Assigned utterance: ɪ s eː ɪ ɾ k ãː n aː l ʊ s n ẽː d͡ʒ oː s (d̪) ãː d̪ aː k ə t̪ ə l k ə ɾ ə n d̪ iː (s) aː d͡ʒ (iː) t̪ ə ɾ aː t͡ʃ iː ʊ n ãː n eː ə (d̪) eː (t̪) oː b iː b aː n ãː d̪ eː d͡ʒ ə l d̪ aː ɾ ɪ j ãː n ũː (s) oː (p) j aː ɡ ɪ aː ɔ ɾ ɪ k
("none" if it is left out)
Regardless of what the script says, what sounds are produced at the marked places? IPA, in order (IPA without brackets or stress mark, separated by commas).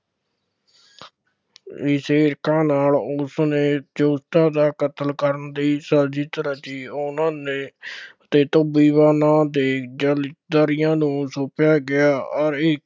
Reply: t̪, s, iː, t̪, t̪, s, p